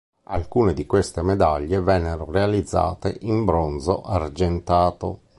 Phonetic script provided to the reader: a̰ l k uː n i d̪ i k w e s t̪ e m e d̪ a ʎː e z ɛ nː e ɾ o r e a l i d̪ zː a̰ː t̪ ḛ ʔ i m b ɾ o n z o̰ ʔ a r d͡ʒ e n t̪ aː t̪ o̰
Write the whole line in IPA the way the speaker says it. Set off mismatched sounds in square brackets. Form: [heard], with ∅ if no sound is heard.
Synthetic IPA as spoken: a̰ l k uː n [e] d̪ i k w e s t̪ e m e d̪ a ʎː e [v] ɛ nː e ɾ o r e a l i d̪ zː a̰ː t̪ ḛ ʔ i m b ɾ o n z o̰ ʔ a r d͡ʒ e n t̪ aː t̪ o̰